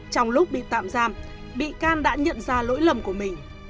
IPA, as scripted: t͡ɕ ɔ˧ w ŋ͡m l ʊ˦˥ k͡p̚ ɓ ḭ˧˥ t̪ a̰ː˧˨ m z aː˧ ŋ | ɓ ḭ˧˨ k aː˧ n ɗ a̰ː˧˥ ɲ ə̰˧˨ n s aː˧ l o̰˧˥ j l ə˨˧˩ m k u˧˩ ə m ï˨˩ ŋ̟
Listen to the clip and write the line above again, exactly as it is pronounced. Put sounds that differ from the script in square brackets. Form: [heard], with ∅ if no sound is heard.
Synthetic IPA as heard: t͡ɕ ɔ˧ w ŋ͡m l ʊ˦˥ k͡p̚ ɓ [ḭ˧˨] t̪ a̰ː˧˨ m z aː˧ [m] | ɓ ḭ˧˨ k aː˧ n ɗ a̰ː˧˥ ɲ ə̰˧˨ n [z] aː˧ l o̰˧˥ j l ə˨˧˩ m k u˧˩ ə m ï˨˩ ŋ̟

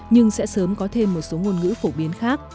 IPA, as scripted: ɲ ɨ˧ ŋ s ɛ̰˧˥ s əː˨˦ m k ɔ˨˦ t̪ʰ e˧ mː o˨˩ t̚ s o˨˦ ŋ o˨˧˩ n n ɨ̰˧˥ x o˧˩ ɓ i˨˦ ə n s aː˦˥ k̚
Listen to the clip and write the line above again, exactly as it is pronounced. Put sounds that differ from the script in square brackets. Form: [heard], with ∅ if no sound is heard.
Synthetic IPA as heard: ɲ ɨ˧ ŋ s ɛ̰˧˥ s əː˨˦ m k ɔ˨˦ t̪ʰ e˧ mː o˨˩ t̚ s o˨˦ ŋ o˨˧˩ n [ŋ] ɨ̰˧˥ [f] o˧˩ ɓ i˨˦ ə n [x] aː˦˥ k̚

